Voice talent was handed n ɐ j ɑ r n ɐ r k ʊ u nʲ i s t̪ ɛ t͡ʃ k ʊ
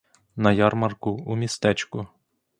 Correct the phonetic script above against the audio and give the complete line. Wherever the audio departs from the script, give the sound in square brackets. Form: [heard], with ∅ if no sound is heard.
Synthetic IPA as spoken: n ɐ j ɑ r [m] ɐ r k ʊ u [mʲ] i s t̪ ɛ t͡ʃ k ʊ